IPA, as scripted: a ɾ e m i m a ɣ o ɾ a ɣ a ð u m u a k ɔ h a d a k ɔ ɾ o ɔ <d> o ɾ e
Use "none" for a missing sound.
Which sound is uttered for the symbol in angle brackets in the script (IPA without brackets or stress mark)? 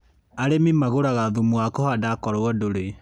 d